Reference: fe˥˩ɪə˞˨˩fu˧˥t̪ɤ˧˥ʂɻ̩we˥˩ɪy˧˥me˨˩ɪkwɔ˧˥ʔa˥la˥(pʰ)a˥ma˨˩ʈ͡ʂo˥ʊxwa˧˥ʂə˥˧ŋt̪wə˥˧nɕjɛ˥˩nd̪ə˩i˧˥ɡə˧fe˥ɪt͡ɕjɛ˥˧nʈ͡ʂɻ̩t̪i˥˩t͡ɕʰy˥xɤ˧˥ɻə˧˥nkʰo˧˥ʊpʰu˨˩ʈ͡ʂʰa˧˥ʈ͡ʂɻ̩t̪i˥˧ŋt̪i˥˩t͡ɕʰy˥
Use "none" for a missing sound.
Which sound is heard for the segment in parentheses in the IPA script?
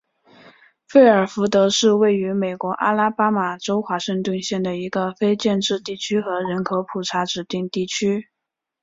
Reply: p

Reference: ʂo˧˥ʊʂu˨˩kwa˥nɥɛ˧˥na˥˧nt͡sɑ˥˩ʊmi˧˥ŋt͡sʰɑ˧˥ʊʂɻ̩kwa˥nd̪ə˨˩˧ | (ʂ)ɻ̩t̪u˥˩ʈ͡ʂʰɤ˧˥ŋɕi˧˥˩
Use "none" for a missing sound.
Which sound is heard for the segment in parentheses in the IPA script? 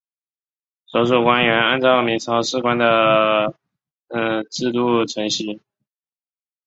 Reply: ʈ͡ʂ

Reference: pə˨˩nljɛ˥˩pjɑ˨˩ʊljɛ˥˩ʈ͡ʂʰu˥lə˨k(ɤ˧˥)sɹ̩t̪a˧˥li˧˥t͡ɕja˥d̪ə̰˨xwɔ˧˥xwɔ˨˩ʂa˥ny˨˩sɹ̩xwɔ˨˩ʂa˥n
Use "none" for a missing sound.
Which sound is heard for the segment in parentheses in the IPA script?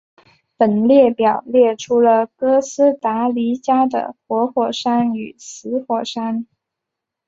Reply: ɤ˥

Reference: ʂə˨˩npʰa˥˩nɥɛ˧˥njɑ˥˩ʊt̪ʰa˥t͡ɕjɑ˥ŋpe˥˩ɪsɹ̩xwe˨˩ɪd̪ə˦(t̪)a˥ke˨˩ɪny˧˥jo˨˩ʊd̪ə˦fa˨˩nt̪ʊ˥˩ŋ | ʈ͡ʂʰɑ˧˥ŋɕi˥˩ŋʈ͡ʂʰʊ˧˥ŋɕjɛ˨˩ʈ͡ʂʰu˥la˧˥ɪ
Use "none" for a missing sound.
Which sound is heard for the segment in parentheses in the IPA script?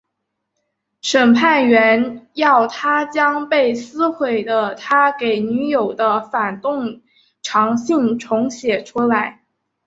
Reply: t̪ʰ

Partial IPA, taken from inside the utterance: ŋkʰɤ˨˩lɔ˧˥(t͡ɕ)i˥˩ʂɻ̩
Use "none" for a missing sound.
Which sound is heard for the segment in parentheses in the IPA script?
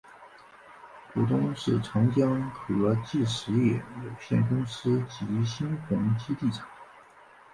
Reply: t͡ɕ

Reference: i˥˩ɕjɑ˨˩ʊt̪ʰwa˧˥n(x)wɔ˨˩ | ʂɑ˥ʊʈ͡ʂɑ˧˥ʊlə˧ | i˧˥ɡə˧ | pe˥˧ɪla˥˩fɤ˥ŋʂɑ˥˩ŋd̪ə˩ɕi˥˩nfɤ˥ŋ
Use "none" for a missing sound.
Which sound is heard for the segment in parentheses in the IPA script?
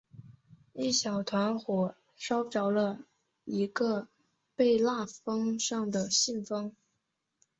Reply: x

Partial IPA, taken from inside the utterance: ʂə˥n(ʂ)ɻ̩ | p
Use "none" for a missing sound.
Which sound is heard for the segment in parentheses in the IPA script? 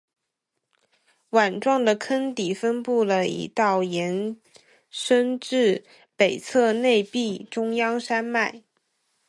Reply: ʈ͡ʂ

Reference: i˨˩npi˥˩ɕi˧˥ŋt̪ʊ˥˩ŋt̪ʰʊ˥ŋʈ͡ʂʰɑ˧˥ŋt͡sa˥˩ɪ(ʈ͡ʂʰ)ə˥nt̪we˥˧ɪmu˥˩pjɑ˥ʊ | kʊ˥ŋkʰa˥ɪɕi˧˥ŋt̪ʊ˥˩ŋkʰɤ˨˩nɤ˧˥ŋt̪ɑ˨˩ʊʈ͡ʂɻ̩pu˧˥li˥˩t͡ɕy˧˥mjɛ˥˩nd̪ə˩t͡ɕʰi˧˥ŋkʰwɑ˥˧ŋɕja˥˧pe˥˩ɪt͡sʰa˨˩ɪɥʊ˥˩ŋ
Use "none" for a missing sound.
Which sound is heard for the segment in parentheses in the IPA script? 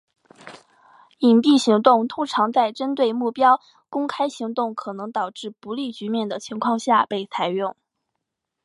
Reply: ʈ͡ʂ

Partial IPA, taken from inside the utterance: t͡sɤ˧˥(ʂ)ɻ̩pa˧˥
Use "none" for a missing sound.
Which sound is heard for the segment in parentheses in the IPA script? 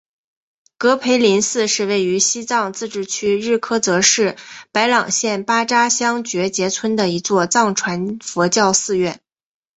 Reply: ʂ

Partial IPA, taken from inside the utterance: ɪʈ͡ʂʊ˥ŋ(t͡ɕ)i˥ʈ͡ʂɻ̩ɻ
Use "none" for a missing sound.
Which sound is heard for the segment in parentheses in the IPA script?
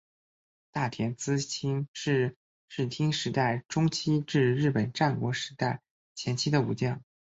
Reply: t͡ɕʰ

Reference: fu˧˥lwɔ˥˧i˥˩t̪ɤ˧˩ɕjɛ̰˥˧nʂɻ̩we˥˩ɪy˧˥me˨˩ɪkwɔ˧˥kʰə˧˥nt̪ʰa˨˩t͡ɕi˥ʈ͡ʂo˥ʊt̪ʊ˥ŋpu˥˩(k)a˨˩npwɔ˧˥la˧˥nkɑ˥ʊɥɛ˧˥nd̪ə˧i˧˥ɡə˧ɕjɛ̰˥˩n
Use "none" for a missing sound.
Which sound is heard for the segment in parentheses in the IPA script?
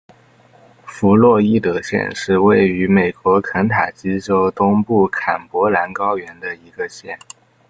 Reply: kʰ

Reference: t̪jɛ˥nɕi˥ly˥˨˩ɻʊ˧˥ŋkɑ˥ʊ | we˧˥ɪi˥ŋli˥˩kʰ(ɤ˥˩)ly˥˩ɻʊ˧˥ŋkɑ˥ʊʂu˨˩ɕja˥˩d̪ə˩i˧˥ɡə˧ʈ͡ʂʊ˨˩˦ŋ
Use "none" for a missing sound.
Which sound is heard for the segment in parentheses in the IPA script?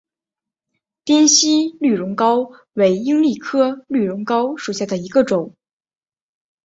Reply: ɤ˥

